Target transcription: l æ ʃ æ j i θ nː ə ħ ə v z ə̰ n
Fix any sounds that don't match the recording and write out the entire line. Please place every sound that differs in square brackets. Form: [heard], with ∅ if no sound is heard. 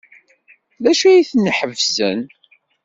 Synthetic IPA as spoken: l æ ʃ æ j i θ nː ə ħ ə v z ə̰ n